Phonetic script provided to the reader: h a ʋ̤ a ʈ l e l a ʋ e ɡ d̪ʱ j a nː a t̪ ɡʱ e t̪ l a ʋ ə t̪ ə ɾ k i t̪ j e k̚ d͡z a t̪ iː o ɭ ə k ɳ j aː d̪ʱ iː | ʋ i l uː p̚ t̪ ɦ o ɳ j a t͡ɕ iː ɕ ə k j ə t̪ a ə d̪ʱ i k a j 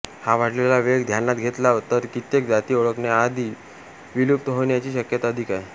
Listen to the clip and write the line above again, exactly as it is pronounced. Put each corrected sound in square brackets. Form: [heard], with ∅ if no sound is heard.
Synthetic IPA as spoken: h a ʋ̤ a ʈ l e l a ʋ e ɡ d̪ʱ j a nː a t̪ ɡʱ e t̪ l a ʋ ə t̪ ə ɾ k i t̪ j e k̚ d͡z a t̪ iː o ɭ ə k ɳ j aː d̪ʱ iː | ʋ i l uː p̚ t̪ ɦ o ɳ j a t͡ɕ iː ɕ ə k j ə t̪ a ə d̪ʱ i k a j